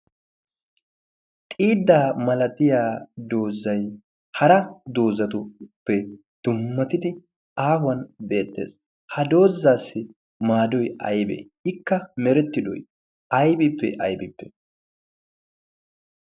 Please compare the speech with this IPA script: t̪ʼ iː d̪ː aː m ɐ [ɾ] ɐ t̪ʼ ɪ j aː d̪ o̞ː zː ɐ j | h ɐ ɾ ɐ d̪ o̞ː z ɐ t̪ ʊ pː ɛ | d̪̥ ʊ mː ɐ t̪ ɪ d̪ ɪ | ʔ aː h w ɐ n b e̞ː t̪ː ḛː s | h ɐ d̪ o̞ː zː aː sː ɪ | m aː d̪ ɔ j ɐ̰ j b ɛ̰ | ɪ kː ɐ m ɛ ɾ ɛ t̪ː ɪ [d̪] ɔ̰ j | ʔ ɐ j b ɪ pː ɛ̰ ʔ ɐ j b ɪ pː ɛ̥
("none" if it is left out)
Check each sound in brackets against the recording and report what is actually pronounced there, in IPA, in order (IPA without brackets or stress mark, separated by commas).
l, d̪